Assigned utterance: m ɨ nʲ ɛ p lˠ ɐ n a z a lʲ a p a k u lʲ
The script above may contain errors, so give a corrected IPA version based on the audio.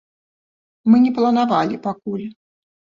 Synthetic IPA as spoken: m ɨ nʲ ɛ p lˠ ɐ n a v a lʲ i p a k u lʲ